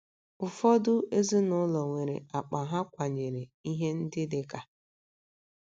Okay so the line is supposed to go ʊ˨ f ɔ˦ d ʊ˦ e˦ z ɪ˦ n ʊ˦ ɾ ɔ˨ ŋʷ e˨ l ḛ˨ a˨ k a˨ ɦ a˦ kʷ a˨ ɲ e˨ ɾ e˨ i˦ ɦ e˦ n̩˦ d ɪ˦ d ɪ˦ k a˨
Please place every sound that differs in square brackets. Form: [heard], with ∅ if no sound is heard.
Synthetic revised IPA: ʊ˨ f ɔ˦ d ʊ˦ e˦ z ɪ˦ n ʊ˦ [l] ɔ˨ ŋʷ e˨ [ɾ] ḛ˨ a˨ [k͡p] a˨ ɦ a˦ kʷ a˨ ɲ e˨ ɾ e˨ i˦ ɦ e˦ n̩˦ d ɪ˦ d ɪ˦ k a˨